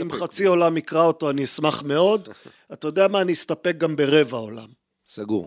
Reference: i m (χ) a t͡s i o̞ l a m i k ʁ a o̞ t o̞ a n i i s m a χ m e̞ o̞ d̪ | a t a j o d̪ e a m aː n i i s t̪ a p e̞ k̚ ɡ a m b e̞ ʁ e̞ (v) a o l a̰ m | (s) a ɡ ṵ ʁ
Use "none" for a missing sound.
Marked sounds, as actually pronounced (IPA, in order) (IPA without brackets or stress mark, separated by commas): χ, v, s